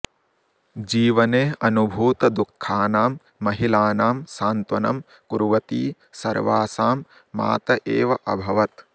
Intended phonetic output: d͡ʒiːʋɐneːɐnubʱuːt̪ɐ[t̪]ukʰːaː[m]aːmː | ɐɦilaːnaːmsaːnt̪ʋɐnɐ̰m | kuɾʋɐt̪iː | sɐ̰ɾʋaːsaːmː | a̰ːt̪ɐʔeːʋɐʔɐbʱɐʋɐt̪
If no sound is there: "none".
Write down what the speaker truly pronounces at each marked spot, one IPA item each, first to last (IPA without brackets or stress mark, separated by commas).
d̪, n